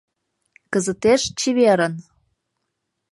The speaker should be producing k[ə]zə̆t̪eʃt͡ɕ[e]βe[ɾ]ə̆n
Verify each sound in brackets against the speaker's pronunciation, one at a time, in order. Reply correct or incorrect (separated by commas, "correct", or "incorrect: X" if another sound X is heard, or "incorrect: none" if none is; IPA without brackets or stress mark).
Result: correct, incorrect: i, correct